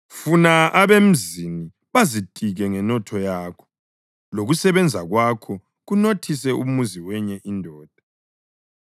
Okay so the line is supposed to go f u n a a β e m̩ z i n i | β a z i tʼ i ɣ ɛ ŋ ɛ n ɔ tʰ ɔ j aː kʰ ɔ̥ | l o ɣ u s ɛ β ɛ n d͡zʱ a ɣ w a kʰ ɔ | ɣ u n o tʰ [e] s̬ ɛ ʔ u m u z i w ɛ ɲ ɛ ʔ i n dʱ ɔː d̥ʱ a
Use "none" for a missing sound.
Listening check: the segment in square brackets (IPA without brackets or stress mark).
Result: i